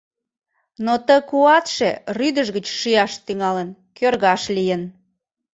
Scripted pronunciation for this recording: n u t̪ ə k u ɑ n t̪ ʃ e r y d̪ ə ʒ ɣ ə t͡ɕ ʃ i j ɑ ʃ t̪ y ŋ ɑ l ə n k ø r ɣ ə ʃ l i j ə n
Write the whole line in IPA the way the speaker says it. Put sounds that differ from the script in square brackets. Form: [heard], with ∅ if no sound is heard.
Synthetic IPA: n [o] t̪ ə k u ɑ [∅] t̪ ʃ e r y d̪ ə ʒ ɣ ə t͡ɕ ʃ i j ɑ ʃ t̪ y ŋ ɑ l ə n k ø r ɣ [ɑ] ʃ l i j ə n

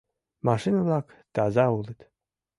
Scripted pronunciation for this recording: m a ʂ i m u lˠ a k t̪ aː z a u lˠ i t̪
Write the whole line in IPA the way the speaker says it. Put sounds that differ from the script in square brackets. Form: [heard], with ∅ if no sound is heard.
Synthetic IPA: m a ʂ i [n] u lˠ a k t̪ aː z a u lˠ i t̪

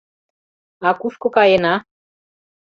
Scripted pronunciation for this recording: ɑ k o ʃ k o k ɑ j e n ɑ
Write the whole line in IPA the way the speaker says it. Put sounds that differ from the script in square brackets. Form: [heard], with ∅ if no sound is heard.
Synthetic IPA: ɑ k [u] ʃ k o k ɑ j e n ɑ

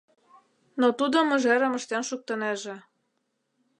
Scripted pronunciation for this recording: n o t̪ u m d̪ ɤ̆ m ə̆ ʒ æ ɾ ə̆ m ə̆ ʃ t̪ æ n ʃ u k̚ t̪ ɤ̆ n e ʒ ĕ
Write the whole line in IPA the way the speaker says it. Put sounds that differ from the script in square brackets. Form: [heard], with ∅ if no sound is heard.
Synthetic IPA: n o t̪ u [∅] d̪ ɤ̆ m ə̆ ʒ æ ɾ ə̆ m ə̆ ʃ t̪ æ n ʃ u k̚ t̪ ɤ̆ n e ʒ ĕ

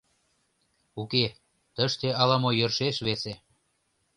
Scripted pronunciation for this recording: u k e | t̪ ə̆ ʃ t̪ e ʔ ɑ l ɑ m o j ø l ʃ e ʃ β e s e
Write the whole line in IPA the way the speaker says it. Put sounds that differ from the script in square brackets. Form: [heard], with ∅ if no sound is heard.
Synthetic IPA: u k e | t̪ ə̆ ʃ t̪ e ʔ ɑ l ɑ m o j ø [r] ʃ e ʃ β e s e

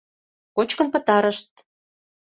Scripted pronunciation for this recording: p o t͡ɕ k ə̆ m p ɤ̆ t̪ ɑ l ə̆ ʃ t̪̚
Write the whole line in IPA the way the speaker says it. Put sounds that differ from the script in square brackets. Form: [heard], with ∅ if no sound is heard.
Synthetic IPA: [k] o t͡ɕ k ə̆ [n] p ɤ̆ t̪ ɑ [ɾ] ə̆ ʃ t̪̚

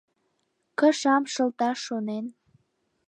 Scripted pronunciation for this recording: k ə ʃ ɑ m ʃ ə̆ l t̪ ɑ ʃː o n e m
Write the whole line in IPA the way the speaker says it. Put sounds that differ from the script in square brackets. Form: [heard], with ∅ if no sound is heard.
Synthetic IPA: k ə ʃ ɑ m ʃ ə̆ l t̪ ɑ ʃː o n e [n]

